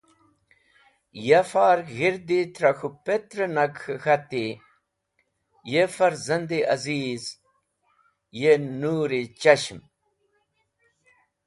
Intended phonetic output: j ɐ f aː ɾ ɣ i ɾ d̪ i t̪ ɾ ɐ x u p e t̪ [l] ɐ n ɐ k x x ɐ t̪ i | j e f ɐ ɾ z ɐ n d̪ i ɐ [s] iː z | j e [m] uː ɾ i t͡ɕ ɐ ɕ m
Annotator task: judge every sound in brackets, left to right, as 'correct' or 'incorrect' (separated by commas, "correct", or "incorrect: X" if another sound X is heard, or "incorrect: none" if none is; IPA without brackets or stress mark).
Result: incorrect: ɾ, incorrect: z, incorrect: n